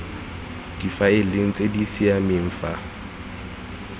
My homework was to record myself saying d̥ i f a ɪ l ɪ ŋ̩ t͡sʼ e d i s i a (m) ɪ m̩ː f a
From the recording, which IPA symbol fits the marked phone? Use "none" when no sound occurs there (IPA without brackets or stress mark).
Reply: m